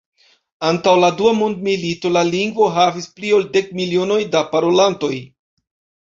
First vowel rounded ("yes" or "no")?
no